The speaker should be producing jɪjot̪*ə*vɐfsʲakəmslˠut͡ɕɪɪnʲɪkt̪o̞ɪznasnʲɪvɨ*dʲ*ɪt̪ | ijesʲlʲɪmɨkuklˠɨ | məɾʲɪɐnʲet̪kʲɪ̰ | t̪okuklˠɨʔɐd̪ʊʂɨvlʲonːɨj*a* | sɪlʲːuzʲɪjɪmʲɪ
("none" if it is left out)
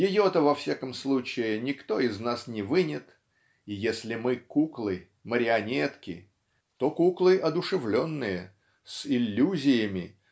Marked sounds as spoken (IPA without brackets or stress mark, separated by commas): ə, nʲ, ə